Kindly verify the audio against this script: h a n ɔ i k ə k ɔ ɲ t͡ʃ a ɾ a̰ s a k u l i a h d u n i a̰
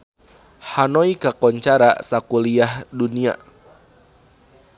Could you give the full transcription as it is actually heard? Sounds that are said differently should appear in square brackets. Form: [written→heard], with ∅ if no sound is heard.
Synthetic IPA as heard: h a n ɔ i k [ə→a] k ɔ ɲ t͡ʃ a ɾ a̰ s a k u l i a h d u n i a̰